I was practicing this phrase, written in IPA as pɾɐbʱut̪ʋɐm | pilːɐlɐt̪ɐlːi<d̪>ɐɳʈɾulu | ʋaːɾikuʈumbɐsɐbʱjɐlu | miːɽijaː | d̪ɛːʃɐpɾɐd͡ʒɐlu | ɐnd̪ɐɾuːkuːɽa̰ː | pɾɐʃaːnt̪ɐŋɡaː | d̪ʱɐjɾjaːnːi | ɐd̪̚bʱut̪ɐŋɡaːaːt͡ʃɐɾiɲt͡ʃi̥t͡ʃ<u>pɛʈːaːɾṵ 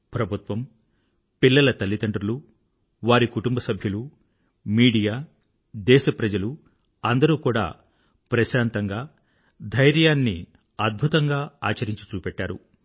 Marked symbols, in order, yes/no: no, no

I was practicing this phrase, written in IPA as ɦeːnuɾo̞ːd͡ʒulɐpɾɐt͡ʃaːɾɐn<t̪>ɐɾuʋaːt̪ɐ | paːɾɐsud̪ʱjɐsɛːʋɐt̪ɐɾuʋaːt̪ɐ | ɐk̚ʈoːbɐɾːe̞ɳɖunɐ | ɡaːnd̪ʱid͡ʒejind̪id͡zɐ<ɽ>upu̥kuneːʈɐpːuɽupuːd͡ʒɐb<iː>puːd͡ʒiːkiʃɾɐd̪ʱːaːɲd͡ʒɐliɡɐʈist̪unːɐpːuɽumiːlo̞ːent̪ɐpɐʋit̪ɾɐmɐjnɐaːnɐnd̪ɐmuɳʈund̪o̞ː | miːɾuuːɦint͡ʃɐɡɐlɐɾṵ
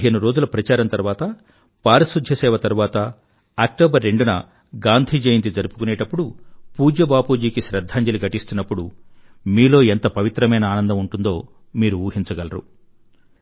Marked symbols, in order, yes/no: yes, no, no

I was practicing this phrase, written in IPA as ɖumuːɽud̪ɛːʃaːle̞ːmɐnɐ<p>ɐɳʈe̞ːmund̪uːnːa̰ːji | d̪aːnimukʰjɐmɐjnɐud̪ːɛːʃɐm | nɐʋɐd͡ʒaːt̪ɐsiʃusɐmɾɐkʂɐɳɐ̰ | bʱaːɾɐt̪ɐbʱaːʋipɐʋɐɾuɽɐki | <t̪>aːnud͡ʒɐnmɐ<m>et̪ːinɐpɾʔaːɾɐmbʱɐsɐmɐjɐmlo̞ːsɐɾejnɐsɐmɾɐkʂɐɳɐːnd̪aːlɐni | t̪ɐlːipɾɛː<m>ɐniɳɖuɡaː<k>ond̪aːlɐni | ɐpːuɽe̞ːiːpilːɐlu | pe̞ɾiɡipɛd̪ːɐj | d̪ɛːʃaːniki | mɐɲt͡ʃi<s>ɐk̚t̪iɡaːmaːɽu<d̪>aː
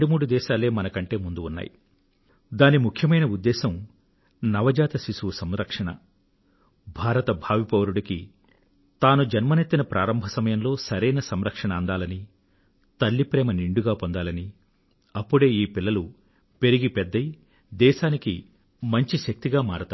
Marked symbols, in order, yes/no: no, yes, no, yes, no, no, no

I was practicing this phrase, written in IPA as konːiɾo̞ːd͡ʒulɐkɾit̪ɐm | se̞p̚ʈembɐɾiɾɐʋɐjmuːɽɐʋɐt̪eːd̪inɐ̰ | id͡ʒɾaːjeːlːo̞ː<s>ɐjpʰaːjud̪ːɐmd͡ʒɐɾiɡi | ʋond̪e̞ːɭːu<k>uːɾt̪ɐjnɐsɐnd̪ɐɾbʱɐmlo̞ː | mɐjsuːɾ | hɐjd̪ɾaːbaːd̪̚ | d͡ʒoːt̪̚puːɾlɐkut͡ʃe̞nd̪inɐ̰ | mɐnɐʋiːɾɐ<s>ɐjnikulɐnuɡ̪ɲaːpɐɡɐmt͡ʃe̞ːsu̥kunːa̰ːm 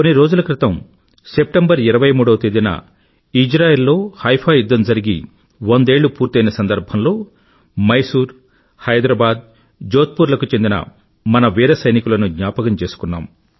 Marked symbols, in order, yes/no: no, no, yes

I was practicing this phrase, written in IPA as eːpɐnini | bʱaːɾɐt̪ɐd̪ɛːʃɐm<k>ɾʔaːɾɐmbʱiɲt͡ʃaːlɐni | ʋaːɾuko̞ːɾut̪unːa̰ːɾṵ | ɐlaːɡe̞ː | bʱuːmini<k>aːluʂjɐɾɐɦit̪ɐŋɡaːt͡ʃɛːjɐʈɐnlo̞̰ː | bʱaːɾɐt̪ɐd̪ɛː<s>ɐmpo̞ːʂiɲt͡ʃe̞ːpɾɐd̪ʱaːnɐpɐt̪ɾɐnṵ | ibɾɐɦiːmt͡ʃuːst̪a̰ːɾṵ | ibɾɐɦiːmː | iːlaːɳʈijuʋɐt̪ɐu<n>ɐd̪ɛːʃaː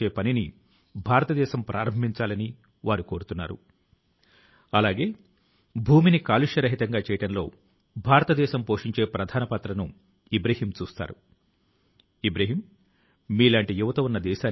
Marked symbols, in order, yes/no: no, yes, no, no

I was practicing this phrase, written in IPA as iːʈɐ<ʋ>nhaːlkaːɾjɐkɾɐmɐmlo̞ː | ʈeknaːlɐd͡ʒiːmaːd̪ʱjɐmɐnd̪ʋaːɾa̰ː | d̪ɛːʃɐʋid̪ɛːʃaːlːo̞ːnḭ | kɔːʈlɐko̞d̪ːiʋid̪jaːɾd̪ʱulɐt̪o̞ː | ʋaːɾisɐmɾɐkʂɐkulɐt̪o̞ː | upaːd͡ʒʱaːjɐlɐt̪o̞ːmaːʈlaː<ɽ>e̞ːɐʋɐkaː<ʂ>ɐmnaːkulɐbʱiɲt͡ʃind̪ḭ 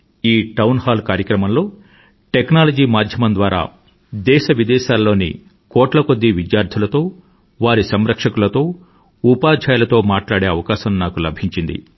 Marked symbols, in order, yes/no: no, yes, no

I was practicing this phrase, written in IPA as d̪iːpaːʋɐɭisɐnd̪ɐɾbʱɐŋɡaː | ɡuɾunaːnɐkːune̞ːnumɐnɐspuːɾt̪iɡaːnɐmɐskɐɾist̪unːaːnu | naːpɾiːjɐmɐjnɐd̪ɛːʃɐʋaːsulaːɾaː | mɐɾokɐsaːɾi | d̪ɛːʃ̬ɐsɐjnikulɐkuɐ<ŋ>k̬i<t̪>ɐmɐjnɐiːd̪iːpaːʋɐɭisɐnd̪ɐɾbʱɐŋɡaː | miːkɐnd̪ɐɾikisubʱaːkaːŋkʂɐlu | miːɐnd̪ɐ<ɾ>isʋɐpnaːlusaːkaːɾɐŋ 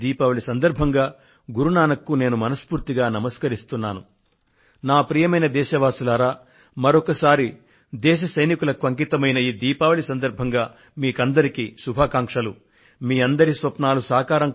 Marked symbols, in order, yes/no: yes, yes, yes

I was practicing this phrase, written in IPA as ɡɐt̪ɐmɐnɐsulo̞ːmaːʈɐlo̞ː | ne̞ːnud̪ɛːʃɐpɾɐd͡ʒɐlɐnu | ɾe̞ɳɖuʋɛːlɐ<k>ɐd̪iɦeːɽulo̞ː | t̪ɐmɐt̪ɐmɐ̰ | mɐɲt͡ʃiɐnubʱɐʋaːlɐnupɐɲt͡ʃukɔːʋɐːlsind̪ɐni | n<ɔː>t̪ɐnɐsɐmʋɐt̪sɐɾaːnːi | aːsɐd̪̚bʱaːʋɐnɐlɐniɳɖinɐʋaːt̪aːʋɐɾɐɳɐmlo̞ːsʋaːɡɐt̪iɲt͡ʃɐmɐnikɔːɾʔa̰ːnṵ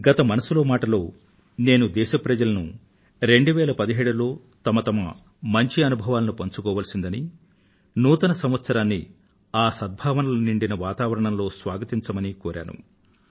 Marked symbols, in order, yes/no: no, no

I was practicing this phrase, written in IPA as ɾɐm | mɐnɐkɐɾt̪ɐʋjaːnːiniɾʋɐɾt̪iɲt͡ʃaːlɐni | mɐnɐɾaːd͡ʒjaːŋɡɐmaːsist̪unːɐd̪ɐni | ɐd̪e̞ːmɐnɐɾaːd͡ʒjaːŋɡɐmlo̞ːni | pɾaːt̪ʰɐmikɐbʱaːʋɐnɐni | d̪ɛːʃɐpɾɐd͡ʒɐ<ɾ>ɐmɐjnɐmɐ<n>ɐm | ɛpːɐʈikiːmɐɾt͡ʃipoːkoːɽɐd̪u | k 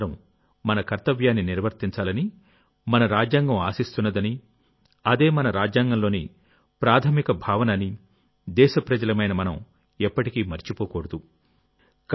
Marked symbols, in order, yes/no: no, yes

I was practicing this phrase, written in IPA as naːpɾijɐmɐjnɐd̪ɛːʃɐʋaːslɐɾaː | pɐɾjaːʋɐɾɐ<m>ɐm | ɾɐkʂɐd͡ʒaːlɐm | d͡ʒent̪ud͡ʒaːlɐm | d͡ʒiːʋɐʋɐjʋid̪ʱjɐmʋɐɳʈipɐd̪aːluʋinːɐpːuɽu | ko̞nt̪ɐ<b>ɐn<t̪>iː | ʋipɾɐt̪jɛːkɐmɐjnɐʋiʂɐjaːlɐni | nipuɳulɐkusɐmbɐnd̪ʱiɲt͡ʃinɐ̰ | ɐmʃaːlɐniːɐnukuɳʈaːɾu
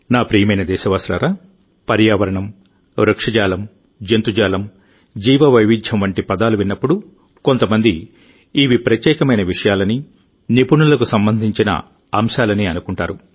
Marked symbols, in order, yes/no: no, no, no

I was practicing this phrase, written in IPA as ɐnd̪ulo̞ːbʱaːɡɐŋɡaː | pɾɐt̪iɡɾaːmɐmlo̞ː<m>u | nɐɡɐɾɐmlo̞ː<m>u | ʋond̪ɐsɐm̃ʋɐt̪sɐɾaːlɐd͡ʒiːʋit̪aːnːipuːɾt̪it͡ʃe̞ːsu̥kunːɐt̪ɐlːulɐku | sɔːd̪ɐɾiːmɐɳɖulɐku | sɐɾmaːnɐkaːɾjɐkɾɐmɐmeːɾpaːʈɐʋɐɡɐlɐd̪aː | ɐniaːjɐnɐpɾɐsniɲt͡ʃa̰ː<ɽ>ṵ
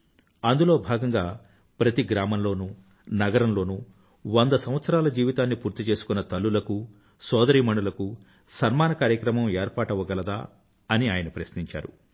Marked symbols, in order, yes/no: no, no, no

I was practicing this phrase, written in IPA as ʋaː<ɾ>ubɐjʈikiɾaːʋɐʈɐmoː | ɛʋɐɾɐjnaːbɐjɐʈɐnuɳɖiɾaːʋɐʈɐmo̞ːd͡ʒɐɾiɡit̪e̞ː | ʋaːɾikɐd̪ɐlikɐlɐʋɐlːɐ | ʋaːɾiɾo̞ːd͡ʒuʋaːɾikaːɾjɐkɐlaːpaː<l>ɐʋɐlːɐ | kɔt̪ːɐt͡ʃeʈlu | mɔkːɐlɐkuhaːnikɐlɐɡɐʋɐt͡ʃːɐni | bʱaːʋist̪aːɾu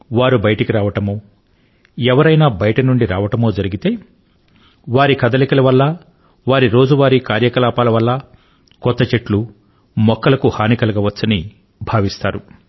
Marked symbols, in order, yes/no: yes, yes

